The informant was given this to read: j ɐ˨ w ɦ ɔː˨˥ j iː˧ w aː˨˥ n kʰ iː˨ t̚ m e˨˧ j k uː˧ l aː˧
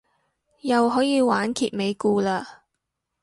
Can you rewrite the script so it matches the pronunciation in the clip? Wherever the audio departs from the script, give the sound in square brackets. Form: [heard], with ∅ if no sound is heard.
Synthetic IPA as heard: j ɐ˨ w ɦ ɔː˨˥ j iː˧ w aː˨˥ n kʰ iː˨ t̚ m e˨˧ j k uː˧ l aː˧